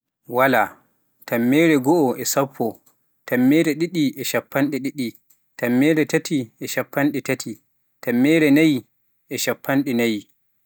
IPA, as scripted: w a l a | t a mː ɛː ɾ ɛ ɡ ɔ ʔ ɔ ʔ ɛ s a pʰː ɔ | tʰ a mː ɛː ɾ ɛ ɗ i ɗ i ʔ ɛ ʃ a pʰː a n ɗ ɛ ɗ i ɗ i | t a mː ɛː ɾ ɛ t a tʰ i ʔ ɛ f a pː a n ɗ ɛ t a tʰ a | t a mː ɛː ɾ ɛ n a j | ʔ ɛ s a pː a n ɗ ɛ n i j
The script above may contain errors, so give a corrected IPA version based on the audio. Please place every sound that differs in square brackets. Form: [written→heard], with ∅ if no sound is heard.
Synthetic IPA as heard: w a l a | t a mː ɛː ɾ ɛ ɡ ɔ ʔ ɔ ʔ ɛ s a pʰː ɔ | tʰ a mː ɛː ɾ ɛ ɗ i ɗ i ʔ ɛ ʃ a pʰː a n ɗ ɛ ɗ i ɗ i | t a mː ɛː ɾ ɛ t a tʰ i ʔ ɛ [f→ʃ] a pː a n ɗ ɛ t a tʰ [a→i] | t a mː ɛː ɾ ɛ n a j | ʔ ɛ [s→ʃ] a pː a n ɗ ɛ n [i→a] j

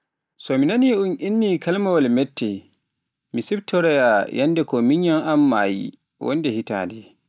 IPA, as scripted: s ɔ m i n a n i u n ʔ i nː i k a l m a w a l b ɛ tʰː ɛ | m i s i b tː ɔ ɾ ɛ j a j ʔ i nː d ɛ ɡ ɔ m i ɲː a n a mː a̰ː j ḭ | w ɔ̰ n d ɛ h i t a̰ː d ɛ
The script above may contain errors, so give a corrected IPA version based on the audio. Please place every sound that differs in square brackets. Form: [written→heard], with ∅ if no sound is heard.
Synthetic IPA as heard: s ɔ m i n a n i u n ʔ i nː i k a l m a w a l [b→m] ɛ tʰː ɛ | m i s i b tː ɔ ɾ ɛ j a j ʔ [i→a] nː d ɛ [ɡ→k] ɔ m i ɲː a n a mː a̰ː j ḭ | w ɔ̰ n d ɛ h i t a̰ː d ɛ

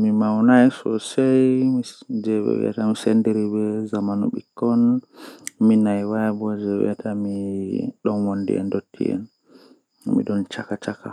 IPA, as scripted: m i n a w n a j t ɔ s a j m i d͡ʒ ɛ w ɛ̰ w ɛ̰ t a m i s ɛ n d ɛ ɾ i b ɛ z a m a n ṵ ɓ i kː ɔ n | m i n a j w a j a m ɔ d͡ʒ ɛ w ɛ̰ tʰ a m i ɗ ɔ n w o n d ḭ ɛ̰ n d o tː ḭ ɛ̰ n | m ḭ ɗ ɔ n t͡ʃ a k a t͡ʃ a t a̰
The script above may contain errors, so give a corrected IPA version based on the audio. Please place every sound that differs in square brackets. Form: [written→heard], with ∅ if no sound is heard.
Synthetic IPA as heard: m i [n→m] a w n a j [t→s] ɔ s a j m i d͡ʒ ɛ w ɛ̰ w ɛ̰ t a m i s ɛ n d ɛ ɾ i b ɛ z a m a n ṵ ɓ i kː ɔ n | m i n a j w a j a [m→b] ɔ d͡ʒ ɛ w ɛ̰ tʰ a m i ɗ ɔ n w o n d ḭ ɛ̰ n d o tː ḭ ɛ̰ n | m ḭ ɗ ɔ n t͡ʃ a k a t͡ʃ a [t→k] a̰

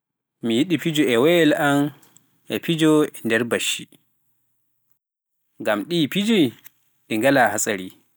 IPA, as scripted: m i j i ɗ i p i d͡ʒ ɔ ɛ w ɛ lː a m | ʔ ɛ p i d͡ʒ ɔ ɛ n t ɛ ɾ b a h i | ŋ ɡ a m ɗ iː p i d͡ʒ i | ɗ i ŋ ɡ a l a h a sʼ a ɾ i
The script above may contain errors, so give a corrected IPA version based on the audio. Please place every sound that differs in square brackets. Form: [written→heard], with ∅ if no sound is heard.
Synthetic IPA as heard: m i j i ɗ i p i d͡ʒ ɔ ɛ w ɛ [lː→l] a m | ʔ ɛ p i d͡ʒ ɔ ɛ n [t→d] ɛ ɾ b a [h→ʃ] i | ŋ ɡ a m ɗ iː p i d͡ʒ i | ɗ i ŋ ɡ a l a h a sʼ a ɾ i

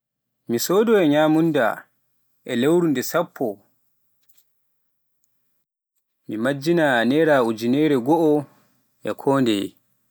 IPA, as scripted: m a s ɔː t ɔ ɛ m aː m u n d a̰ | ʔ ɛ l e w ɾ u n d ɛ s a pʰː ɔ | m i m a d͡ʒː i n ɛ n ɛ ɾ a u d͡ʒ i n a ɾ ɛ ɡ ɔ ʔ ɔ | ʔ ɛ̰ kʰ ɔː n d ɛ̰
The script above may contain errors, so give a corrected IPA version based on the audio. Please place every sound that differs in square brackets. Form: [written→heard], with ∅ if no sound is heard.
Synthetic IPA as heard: m [a→i] s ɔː [t→d] ɔ ɛ [m→ɲ] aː m u n d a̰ | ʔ ɛ l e w ɾ u n d ɛ s a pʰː ɔ | m i m a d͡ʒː i n [ɛ→a] n ɛ ɾ a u d͡ʒ i n [a→ɛ] ɾ ɛ ɡ ɔ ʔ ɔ | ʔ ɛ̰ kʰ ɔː n d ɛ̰

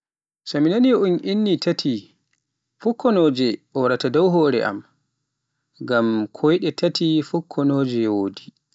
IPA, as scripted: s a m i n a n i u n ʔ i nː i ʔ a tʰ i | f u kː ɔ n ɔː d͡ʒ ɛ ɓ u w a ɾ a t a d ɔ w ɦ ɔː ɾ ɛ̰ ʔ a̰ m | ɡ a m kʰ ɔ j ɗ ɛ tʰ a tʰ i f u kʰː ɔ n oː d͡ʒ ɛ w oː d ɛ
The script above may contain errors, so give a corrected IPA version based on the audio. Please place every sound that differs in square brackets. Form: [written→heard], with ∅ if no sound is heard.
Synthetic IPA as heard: s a m i n a n i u n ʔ i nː i [ʔ→t] a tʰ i | f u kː ɔ n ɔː d͡ʒ ɛ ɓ [u→ɔ] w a ɾ a t a d ɔ w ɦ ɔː ɾ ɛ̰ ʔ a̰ m | ɡ a m kʰ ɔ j ɗ ɛ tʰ a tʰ i f u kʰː ɔ n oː d͡ʒ ɛ w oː d [ɛ→i]

